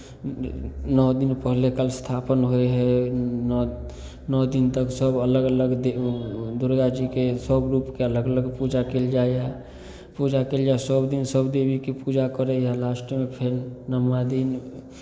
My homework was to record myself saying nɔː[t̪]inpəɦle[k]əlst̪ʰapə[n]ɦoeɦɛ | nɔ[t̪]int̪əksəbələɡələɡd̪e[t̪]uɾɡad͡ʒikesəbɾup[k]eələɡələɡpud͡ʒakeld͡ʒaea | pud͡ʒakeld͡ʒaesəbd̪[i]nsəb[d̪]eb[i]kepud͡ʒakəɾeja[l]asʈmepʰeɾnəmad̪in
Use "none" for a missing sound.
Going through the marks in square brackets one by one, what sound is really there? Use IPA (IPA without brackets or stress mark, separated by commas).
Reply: d̪, k, n, d̪, d̪, k, i, d̪, i, l